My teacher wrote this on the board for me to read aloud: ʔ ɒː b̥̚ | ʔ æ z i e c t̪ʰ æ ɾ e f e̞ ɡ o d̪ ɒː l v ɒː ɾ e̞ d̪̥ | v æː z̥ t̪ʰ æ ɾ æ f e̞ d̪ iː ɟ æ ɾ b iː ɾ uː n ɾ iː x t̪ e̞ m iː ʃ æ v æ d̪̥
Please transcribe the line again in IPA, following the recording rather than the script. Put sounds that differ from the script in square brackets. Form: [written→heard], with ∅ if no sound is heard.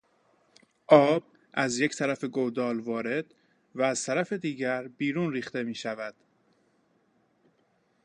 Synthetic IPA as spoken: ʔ ɒː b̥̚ | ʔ æ z [i→j] e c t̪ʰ æ ɾ [e→æ] f e̞ ɡ o d̪ ɒː l v ɒː ɾ e̞ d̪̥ | v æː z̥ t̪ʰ æ ɾ æ f e̞ d̪ iː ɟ æ ɾ b iː ɾ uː n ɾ iː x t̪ e̞ m iː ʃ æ v æ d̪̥